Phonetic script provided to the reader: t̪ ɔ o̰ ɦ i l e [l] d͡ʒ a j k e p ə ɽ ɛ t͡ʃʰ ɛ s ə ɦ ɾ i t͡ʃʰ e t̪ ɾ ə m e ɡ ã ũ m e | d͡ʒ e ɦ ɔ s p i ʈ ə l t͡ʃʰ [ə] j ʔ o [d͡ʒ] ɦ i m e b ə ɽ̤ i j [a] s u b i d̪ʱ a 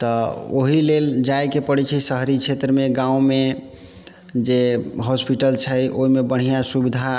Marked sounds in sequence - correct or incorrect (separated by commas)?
correct, correct, incorrect, correct